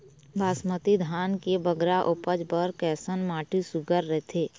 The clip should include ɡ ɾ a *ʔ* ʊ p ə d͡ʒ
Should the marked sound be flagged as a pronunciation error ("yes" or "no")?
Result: no